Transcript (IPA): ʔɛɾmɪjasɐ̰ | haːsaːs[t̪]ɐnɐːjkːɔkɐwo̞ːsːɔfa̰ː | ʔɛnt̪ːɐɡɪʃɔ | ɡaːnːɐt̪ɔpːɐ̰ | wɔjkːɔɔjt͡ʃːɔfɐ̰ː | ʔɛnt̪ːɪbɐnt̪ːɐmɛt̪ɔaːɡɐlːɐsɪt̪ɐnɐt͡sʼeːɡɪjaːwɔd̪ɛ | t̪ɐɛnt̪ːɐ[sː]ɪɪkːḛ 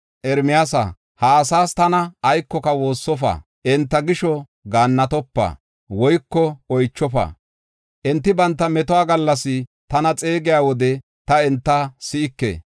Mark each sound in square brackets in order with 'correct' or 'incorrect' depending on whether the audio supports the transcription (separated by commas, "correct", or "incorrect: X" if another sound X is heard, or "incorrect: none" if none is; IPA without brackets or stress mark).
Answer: correct, incorrect: s